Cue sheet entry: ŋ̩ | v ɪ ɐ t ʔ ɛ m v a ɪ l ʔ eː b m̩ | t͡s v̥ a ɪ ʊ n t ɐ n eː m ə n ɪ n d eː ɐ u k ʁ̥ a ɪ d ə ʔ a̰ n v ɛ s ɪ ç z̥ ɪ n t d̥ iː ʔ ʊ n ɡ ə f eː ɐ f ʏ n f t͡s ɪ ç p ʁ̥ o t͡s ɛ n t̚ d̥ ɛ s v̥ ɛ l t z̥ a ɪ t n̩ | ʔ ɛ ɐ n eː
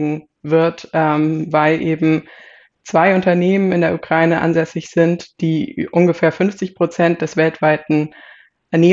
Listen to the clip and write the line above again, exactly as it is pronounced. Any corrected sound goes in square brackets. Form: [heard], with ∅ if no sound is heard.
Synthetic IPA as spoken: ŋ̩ | v ɪ ɐ t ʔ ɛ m v a ɪ l ʔ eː b m̩ | t͡s v̥ a ɪ ʊ n t ɐ n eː m ə n ɪ n d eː ɐ u k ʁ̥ a ɪ [n] ə ʔ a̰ n [z] ɛ s ɪ ç z̥ ɪ n t d̥ iː ʔ ʊ n ɡ ə f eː ɐ f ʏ n f t͡s ɪ ç p ʁ̥ o t͡s ɛ n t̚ d̥ ɛ s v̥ ɛ l t [v̥] a ɪ t n̩ | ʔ ɛ ɐ n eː